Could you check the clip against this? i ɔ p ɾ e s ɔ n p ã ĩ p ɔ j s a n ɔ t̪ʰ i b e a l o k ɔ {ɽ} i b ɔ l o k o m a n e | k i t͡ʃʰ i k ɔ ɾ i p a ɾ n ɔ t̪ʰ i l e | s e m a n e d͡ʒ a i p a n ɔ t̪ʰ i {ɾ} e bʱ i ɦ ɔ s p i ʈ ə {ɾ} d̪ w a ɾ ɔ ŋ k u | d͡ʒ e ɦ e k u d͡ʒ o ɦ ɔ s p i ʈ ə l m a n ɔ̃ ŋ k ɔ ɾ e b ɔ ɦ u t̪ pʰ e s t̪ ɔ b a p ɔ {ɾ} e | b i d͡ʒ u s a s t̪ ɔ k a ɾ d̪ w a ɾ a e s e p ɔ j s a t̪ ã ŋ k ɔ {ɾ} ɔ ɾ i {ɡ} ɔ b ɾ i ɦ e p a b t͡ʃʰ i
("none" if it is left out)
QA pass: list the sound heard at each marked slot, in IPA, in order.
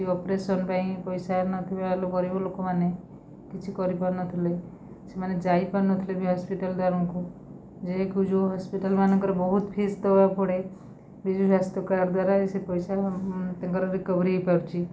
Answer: ɾ, l, l, ɽ, ɾ, k

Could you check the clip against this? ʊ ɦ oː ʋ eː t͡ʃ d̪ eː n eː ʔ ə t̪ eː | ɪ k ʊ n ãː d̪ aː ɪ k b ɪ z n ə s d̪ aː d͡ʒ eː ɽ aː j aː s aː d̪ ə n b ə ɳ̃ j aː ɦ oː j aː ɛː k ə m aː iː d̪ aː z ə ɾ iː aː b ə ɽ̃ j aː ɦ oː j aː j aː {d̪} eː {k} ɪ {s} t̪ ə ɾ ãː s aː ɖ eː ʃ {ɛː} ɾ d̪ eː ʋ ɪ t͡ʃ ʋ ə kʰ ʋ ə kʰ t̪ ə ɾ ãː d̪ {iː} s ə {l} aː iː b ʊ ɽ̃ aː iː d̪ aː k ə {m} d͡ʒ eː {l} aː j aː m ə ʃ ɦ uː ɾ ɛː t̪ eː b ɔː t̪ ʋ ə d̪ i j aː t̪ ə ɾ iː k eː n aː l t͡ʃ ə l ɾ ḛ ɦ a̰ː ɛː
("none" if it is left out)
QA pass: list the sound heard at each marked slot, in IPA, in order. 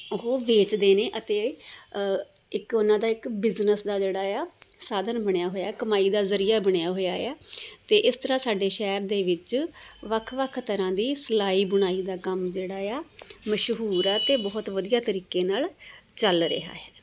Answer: t̪, ʔ, s, ɛː, iː, l, m, ɽ

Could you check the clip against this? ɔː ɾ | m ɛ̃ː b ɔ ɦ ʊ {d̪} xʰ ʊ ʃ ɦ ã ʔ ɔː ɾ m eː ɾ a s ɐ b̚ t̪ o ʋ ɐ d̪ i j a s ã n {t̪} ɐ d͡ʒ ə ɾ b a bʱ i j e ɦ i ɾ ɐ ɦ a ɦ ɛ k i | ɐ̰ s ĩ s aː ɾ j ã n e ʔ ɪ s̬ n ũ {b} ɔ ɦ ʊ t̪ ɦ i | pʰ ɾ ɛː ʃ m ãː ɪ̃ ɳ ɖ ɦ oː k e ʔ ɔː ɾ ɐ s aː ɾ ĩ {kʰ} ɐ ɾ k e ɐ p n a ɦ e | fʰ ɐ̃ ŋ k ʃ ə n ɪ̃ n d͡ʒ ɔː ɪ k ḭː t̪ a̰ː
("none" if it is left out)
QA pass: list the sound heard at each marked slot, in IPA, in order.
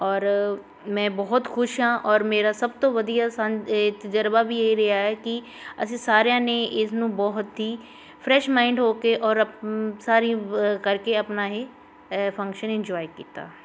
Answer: t̪, t̪, b, k

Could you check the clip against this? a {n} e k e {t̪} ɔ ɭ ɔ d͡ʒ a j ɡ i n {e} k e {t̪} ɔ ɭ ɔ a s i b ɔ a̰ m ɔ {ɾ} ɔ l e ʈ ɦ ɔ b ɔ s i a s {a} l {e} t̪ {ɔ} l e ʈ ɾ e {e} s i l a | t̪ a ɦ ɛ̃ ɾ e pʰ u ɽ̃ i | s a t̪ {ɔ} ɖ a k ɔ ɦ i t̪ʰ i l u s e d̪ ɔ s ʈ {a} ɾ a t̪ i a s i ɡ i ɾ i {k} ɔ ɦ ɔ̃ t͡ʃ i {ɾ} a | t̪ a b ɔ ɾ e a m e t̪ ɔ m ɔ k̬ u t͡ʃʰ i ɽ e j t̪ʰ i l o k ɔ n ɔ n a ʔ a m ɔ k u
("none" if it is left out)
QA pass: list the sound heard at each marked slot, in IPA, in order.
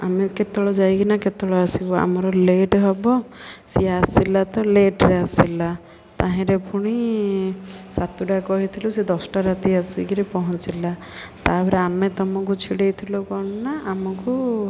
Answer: m, t̪, a, t̪, ɾ, i, a, ɔ, a, u, a, p, l

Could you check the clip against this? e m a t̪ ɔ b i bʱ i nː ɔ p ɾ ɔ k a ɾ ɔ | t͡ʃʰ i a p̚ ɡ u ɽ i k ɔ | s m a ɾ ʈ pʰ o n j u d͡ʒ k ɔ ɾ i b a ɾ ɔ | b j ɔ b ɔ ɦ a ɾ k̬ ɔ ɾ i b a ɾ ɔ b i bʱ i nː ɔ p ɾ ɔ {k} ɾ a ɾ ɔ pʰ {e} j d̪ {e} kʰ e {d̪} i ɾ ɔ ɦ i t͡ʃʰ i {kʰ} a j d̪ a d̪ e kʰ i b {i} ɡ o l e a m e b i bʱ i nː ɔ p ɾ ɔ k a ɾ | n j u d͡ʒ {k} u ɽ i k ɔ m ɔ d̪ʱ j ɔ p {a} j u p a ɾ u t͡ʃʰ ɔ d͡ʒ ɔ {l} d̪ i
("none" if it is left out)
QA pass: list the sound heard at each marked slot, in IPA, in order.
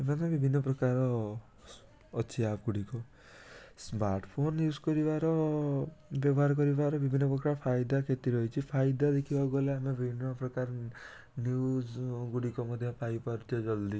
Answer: k, a, a, t̪, pʰ, a, ɡ, a, l

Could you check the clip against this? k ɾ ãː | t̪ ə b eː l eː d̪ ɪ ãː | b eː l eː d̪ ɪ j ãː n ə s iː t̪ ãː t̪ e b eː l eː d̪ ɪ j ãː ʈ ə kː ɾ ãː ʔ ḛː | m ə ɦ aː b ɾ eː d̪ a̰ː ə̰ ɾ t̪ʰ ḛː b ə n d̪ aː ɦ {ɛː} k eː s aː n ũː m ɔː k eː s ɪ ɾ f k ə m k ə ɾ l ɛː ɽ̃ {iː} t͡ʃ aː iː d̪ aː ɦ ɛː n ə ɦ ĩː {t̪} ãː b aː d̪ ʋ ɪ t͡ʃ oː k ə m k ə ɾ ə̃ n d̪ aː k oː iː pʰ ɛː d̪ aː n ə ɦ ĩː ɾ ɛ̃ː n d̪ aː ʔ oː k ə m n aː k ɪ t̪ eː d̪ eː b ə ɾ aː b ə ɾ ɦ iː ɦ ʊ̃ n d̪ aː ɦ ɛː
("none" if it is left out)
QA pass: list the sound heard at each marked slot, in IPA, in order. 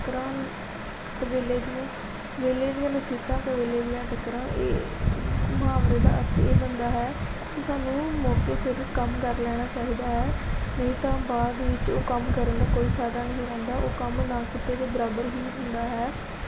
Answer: ɛː, aː, t̪

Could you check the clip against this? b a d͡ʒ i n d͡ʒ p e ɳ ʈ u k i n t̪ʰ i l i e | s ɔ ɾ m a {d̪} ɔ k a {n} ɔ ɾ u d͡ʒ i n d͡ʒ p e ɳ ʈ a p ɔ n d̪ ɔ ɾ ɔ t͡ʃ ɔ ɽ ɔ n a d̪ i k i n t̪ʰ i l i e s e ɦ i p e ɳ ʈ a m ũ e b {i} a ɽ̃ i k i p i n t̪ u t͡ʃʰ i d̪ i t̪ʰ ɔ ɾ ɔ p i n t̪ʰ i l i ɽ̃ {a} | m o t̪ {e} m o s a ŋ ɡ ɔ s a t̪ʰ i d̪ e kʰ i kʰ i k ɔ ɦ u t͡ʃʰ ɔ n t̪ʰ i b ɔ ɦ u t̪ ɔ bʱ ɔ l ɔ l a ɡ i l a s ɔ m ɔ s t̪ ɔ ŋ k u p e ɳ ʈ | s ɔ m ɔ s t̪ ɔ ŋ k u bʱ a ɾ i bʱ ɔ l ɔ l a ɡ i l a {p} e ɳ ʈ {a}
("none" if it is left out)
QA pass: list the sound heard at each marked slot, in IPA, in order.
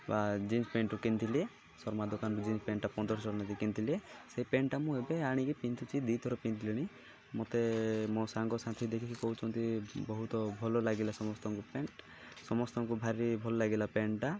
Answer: d̪, n, e, i, e, p, a

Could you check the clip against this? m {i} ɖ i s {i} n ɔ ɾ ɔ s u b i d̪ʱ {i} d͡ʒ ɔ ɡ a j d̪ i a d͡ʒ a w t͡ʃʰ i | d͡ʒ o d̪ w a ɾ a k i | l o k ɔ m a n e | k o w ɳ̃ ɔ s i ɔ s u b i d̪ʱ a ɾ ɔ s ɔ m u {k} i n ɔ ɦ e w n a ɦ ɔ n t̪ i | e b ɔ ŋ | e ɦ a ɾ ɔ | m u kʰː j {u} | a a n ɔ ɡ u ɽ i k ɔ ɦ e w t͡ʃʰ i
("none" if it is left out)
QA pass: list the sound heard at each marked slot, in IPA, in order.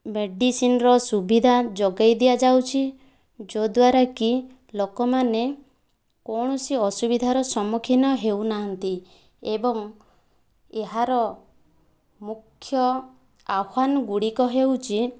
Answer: e, i, a, kʰ, ɔ

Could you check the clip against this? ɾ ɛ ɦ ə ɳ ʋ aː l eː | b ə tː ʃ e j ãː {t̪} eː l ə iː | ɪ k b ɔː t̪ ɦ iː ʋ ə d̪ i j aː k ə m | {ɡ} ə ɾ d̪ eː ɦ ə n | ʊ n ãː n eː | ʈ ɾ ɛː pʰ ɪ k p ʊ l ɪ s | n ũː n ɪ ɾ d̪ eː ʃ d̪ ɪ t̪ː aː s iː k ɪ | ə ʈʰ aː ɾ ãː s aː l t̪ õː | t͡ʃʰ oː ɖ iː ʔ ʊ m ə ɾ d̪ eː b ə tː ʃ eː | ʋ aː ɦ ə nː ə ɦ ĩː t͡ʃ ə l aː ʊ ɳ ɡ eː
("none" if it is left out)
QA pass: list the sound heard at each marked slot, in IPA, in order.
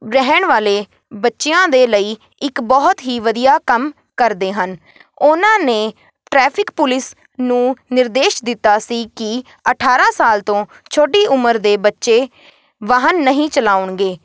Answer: d̪, k

